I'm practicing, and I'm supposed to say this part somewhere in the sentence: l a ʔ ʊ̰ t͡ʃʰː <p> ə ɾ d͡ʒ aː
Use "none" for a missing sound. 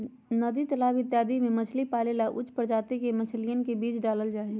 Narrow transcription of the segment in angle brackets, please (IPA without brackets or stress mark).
p